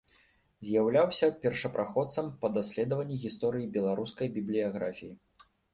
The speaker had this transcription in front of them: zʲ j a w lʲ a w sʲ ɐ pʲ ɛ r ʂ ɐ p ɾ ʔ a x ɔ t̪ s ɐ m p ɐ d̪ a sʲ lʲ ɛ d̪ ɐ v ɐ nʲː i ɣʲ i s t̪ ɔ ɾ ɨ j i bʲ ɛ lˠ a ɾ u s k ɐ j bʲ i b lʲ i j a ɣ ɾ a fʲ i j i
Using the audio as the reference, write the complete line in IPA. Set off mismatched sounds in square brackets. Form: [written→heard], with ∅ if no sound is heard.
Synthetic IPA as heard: zʲ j a w lʲ a w sʲ ɐ pʲ ɛ r ʂ ɐ p ɾ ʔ a x ɔ t̪ s ɐ m p ɐ d̪ a sʲ lʲ ɛ d̪ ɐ v ɐ nʲː i ɣʲ i s t̪ ɔ ɾ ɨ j i bʲ ɛ lˠ a ɾ u s k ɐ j bʲ i b lʲ i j a ɣ ɾ a fʲ i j i